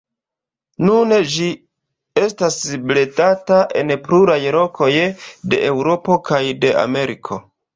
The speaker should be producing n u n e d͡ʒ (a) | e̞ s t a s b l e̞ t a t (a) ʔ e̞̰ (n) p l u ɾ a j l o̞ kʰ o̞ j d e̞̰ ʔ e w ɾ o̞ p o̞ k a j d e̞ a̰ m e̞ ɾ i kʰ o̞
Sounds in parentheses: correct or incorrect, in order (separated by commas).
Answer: incorrect, correct, correct